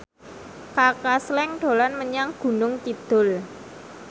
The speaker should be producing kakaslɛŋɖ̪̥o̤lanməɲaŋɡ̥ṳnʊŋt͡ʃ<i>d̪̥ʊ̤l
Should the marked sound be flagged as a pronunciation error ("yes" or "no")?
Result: no